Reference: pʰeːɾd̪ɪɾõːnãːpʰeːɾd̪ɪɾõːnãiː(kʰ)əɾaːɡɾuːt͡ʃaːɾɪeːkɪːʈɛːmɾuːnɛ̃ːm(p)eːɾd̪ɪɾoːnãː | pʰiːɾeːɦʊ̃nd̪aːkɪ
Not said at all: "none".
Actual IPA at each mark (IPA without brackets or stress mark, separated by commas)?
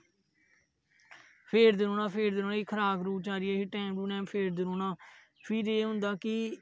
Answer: kʰ, pʰ